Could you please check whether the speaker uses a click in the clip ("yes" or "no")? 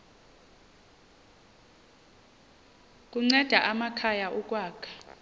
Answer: yes